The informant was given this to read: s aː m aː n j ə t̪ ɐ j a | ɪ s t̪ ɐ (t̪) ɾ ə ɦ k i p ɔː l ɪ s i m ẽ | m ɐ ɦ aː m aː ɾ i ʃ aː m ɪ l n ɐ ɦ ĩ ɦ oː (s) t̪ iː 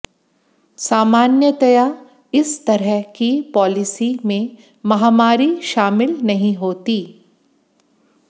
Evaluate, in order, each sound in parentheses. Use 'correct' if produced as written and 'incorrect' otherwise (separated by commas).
incorrect, incorrect